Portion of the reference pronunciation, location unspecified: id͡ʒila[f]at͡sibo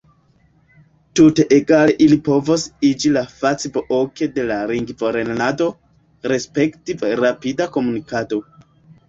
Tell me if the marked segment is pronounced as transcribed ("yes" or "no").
yes